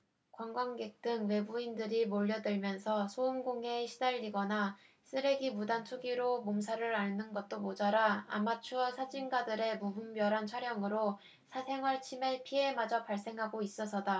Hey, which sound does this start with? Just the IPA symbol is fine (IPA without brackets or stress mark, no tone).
k